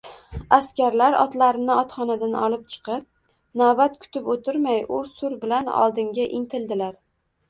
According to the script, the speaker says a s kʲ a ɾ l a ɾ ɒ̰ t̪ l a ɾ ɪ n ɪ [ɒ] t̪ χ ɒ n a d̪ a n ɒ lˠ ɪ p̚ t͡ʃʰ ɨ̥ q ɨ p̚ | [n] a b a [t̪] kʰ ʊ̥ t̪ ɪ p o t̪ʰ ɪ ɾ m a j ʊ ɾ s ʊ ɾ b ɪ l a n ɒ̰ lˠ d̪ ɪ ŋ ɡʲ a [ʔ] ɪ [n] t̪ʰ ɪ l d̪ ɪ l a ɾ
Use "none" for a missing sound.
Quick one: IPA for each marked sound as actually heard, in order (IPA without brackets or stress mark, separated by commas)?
ɒ, n, t̪, ʔ, ŋ